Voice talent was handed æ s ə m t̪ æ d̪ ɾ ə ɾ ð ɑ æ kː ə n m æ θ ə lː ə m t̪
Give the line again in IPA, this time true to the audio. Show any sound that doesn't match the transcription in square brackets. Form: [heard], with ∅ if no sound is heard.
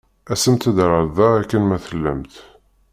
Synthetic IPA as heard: æ s ə m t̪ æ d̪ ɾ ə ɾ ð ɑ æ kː ə n m æ θ ə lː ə m t̪